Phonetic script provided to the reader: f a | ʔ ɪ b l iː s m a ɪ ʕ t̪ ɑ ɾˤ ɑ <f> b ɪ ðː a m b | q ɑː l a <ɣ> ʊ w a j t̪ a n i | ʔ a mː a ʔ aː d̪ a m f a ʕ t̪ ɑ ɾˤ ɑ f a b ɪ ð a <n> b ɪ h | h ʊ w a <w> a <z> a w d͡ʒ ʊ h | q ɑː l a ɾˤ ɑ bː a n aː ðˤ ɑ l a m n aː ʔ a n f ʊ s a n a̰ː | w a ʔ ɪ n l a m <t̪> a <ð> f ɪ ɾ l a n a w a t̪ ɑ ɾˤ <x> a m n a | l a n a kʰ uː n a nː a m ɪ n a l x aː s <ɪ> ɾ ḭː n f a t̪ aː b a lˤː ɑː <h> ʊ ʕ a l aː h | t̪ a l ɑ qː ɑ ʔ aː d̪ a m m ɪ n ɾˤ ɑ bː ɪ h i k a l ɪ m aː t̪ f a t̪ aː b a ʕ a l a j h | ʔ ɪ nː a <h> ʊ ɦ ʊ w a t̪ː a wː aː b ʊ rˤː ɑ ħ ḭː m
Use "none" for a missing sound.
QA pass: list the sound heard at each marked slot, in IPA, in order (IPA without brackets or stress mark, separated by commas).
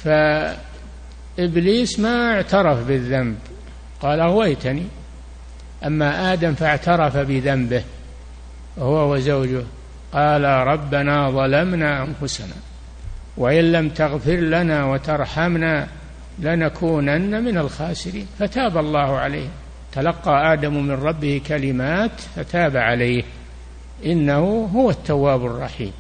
f, ɣ, m, w, z, t̪, ɣ, ħ, ɪ, h, h